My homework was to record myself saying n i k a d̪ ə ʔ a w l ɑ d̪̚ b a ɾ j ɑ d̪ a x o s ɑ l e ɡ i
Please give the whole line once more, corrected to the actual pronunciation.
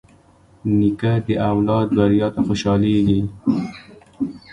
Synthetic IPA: n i k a d̪ ə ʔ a w l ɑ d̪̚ b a ɾ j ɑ t̪ a x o ʃ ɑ l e ɡ i